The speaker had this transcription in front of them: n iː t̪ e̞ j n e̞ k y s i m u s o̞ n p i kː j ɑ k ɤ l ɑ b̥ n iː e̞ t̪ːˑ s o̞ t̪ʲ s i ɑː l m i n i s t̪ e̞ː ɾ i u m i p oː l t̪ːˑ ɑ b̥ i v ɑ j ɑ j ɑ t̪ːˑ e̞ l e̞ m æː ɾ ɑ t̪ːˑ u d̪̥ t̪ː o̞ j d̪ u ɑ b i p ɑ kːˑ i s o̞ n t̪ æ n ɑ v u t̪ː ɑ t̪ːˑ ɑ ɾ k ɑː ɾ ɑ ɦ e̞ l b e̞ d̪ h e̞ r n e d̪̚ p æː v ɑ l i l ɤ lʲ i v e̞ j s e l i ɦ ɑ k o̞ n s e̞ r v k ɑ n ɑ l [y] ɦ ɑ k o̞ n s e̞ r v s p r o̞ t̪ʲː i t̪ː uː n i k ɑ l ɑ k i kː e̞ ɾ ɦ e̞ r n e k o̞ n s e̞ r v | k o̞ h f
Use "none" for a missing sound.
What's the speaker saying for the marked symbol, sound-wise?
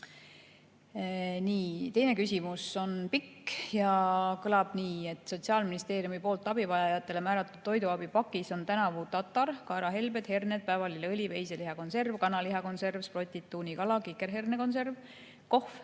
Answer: i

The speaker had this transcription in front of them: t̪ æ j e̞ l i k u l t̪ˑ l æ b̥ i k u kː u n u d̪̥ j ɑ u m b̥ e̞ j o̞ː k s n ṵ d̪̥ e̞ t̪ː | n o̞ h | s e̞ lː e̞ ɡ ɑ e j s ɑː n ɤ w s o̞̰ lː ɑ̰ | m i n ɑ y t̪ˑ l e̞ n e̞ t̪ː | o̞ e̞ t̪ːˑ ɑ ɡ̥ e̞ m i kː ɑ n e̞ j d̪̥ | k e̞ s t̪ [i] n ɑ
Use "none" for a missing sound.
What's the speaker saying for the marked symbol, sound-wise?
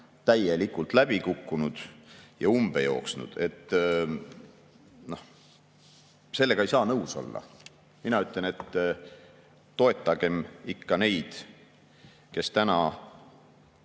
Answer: æ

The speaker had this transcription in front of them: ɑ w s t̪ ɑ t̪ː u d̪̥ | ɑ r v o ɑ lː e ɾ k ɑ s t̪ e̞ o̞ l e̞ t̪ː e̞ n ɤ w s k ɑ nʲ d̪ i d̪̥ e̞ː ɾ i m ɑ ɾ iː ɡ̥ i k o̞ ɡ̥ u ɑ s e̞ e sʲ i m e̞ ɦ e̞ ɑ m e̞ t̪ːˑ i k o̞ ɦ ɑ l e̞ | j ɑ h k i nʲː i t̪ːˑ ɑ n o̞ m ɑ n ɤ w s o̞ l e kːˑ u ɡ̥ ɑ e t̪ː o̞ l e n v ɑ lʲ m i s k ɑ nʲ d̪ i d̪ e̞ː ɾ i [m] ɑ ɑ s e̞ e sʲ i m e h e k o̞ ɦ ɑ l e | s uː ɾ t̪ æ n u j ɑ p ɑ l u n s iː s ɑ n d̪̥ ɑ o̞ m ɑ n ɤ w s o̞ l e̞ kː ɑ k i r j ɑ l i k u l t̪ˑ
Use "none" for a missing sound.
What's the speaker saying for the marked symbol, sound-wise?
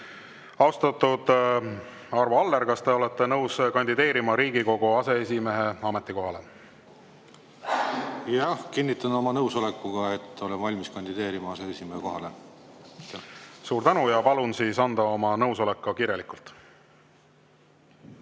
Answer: m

